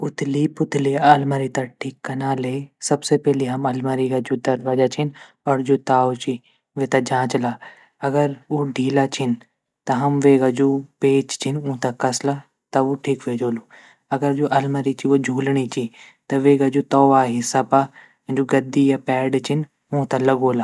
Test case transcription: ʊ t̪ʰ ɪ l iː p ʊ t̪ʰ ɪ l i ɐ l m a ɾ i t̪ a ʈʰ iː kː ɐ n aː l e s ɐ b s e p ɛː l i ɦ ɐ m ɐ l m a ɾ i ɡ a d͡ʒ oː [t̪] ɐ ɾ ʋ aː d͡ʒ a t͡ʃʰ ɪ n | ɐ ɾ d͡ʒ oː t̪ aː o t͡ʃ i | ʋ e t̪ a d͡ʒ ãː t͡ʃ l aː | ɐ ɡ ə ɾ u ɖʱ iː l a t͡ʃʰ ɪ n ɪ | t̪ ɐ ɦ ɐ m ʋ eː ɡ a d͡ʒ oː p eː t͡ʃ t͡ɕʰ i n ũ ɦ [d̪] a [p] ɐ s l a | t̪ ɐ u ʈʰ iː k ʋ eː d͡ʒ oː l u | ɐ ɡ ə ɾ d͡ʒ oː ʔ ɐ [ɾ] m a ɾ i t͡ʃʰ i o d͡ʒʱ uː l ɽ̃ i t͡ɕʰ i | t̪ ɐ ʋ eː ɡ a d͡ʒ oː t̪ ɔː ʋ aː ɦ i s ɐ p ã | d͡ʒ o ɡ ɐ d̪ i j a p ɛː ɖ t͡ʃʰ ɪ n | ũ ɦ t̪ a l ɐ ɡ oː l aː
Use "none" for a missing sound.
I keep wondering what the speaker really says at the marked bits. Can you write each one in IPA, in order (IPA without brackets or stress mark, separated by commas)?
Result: d̪, t̪, k, l